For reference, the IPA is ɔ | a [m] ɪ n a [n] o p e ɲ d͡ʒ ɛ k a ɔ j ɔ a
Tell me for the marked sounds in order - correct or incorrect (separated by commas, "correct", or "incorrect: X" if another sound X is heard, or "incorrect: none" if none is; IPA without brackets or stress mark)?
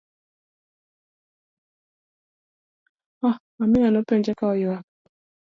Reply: correct, correct